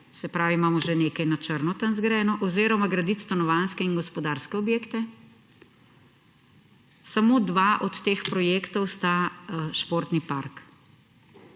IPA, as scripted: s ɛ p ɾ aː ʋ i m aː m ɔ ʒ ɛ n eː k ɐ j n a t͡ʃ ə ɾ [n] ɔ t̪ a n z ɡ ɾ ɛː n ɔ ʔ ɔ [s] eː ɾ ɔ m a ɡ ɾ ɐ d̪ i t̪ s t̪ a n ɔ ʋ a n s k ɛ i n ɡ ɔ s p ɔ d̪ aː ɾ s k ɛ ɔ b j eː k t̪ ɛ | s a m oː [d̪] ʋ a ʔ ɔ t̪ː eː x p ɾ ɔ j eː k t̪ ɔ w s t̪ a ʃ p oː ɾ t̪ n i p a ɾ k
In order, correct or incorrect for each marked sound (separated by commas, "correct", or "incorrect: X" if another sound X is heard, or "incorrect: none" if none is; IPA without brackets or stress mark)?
correct, incorrect: z, correct